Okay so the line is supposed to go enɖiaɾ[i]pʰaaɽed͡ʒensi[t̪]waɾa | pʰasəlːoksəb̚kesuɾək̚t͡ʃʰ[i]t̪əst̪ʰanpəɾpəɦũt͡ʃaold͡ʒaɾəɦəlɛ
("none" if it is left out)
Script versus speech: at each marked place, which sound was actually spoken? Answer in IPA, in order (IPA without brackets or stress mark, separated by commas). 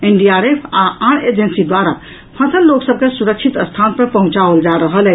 e, d̪, i